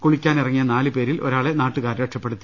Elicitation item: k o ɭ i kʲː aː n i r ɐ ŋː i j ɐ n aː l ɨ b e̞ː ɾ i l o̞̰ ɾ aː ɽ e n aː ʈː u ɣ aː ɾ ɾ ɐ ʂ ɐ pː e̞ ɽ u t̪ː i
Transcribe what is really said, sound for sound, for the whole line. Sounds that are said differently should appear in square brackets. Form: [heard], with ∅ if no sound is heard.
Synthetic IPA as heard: k o ɭ i kʲː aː n i r ɐ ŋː i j ɐ n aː l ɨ [p] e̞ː ɾ i l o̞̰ ɾ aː [ɭ] e n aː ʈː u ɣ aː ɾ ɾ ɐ ʂ ɐ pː e̞ ɽ u t̪ː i